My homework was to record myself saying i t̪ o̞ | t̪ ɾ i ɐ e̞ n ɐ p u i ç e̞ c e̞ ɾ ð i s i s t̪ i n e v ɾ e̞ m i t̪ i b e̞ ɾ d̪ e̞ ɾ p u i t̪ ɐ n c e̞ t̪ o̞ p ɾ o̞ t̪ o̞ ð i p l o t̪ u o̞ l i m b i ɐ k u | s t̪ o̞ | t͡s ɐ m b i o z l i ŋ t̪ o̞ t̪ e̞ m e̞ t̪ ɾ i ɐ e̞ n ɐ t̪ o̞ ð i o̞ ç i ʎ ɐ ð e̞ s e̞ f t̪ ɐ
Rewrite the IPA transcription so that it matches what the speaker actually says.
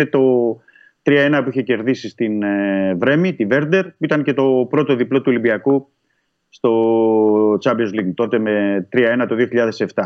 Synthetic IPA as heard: e t̪ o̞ | t̪ ɾ i ɐ e̞ n ɐ p u i ç e̞ c e̞ ɾ ð i s i s t̪ i n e v ɾ e̞ m i t̪ i v e̞ ɾ d̪ e̞ ɾ p u i t̪ ɐ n c e̞ t̪ o̞ p ɾ o̞ t̪ o̞ ð i p l o t̪ u o̞ l i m b i ɐ k u | s t̪ o̞ | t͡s ɐ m b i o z l i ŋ t̪ o̞ t̪ e̞ m e̞ t̪ ɾ i ɐ e̞ n ɐ t̪ o̞ ð i o̞ ç i ʎ ɐ ð e̞ s e̞ f t̪ ɐ